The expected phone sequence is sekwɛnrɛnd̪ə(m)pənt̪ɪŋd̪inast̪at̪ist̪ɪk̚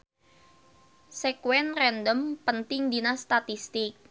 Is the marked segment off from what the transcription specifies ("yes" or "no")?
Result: no